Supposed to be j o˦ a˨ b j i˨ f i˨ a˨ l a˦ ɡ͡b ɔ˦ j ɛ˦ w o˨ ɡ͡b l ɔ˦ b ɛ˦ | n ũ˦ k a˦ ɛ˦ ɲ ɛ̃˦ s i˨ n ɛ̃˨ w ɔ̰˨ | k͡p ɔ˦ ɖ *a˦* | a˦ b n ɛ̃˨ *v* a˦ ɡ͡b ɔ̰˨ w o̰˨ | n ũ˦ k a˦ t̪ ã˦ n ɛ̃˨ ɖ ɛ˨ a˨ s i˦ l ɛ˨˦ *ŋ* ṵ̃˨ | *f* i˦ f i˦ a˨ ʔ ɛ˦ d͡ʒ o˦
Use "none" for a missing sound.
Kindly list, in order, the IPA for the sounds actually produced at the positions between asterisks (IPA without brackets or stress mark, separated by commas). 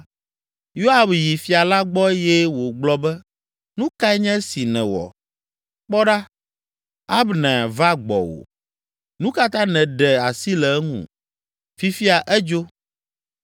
a˦, v, ŋ, f